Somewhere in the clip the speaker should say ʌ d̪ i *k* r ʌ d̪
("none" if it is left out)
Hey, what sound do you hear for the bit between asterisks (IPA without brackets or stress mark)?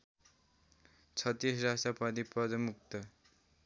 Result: p